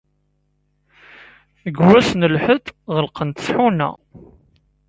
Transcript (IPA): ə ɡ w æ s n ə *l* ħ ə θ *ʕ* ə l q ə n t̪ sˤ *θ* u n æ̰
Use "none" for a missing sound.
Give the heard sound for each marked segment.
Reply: l, ʁ, ħ

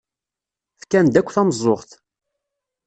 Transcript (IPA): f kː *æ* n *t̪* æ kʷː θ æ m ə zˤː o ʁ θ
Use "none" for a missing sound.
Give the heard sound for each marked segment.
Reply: æ, d̪

